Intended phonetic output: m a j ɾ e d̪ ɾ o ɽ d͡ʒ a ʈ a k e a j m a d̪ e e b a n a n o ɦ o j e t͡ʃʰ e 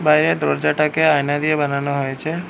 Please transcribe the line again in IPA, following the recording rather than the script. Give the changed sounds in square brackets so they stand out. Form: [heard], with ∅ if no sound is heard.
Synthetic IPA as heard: [b] a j ɾ e d̪ ɾ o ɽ d͡ʒ a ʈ a k e a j [n] a d̪ [i] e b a n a n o ɦ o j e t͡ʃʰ e